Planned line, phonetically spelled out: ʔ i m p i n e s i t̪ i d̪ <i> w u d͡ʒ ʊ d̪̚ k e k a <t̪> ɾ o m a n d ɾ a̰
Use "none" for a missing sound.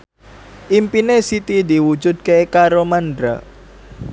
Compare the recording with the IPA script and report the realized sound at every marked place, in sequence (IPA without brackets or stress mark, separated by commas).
i, none